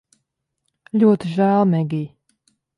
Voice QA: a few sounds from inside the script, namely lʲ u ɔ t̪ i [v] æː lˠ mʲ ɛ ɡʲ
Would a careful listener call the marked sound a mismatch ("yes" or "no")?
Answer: yes